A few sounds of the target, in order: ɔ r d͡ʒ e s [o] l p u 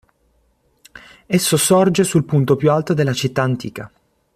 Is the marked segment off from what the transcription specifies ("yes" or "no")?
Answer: yes